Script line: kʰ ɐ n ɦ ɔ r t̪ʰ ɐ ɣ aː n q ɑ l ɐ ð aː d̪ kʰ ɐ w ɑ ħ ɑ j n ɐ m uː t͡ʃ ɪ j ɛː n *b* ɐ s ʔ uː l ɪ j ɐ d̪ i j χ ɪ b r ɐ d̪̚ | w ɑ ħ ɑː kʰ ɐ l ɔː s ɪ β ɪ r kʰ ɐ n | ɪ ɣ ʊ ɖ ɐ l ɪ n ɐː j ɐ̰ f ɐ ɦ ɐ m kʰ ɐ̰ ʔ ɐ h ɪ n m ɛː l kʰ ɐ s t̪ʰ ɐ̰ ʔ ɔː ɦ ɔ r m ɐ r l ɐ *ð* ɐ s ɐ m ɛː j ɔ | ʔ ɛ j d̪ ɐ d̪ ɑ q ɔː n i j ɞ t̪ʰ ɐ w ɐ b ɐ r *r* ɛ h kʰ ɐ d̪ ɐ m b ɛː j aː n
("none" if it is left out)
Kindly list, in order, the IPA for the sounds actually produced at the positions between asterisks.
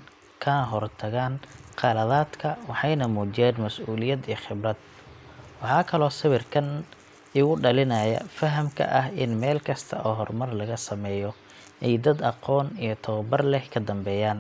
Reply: m, ɣ, l

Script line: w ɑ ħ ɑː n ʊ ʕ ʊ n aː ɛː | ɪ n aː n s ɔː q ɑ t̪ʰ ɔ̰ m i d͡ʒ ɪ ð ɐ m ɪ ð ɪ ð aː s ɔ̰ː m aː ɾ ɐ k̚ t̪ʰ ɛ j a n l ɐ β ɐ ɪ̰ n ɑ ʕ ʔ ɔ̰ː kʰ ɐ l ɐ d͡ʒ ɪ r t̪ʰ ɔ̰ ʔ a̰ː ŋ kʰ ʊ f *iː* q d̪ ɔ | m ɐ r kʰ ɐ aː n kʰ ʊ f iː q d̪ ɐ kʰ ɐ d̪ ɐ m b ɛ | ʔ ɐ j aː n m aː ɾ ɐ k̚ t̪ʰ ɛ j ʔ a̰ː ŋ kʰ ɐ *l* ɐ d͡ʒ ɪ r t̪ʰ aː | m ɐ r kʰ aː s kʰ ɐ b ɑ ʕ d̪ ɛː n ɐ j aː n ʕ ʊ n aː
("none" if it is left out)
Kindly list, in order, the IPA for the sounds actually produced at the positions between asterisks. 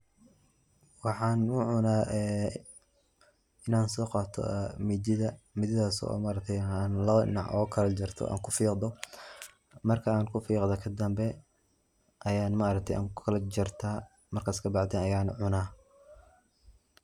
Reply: iː, l

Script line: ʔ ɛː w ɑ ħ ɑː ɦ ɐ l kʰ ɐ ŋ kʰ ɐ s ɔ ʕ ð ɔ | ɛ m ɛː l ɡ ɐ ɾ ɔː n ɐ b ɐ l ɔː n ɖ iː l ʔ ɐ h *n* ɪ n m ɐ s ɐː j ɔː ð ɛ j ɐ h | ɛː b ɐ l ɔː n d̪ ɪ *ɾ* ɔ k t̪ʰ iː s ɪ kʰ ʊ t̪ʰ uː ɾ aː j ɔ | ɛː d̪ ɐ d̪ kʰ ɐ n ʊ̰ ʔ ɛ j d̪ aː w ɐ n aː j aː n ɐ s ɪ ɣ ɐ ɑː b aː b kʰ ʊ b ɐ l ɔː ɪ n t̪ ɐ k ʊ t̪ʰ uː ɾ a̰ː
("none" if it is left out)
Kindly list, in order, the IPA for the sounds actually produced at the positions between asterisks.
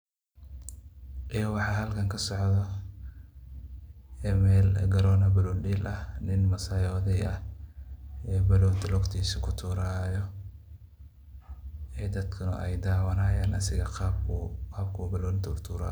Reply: n, l

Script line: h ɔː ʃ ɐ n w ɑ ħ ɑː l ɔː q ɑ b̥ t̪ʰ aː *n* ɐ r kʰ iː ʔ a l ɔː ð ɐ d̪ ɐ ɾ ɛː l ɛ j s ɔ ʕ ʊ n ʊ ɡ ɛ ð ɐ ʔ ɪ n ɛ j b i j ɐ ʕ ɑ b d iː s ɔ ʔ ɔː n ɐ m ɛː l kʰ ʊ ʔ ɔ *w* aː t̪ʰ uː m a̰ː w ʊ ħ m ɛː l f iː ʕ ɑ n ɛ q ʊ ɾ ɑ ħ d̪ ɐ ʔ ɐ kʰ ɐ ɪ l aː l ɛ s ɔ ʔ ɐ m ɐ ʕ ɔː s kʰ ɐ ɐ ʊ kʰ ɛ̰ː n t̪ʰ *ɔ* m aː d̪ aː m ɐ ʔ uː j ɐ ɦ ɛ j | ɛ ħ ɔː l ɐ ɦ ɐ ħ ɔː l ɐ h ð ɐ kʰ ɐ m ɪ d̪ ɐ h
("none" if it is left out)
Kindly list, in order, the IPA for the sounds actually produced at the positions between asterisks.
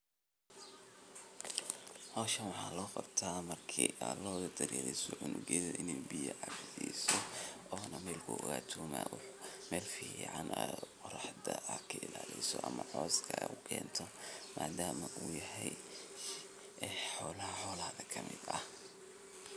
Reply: m, ɣ, ɔ

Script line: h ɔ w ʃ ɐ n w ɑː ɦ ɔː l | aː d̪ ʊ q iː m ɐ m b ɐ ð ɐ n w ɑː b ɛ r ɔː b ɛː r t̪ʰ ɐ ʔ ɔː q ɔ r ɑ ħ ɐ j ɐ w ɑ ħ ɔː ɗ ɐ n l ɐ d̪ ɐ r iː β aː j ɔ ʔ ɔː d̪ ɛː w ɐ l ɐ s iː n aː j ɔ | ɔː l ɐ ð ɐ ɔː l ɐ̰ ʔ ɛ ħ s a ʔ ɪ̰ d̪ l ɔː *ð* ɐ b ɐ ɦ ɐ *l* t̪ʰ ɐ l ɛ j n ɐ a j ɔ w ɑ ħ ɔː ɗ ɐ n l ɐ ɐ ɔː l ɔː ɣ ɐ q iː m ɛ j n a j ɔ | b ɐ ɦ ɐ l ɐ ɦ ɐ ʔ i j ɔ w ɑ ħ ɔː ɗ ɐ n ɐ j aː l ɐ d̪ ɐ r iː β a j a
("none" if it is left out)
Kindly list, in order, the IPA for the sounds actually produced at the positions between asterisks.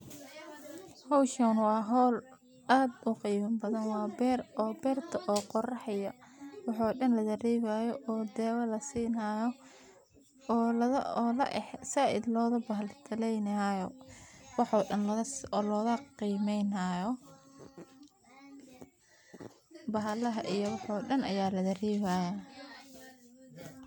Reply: ð, l

